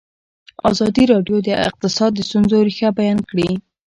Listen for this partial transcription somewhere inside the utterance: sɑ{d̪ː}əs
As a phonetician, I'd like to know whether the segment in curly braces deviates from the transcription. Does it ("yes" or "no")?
no